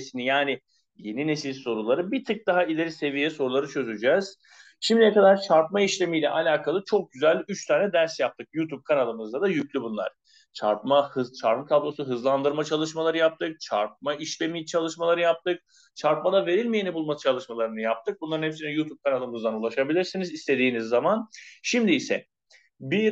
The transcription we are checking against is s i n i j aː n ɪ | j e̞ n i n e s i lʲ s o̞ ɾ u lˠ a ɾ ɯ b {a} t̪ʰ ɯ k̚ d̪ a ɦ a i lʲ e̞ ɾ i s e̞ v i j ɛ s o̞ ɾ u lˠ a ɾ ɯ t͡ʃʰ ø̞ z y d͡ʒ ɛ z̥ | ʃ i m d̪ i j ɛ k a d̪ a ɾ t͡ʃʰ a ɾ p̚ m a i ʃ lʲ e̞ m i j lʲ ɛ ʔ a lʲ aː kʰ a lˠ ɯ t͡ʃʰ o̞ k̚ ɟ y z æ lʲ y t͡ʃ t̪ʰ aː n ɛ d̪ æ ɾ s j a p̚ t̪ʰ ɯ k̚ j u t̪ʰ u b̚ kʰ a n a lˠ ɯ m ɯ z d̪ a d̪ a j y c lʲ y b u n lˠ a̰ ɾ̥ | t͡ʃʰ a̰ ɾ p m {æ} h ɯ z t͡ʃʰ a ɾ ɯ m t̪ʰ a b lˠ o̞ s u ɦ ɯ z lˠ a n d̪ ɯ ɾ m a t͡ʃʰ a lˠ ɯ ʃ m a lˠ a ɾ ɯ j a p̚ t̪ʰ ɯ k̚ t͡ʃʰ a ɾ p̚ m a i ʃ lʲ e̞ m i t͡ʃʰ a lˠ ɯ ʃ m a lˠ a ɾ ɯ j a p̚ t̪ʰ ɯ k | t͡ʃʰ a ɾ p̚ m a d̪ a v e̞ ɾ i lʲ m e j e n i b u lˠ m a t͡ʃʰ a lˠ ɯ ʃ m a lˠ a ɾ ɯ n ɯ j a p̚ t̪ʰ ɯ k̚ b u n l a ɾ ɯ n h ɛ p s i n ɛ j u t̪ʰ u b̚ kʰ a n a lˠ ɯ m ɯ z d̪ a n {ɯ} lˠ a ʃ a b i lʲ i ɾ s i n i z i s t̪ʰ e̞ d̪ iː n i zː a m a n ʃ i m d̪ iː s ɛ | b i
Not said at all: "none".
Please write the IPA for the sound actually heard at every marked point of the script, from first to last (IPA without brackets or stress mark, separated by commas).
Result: i, a, u